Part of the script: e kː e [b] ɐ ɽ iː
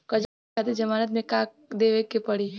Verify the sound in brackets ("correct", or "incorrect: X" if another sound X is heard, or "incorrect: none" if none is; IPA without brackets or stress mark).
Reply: incorrect: p